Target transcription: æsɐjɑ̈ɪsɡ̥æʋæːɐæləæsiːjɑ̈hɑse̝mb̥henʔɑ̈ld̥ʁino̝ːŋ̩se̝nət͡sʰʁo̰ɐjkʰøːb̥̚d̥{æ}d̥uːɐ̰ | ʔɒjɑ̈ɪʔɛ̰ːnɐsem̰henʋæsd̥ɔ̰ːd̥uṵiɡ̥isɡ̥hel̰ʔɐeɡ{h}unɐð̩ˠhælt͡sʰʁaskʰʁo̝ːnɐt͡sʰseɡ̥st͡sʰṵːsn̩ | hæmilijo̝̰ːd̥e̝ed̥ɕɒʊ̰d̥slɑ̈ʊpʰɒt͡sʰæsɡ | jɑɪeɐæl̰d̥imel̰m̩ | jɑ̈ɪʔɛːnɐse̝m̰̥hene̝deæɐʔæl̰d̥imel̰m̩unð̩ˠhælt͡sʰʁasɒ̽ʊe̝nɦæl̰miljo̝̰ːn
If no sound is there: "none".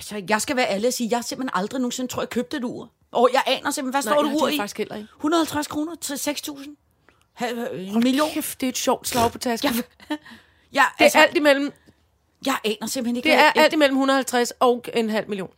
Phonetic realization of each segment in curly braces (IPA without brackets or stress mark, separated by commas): e, h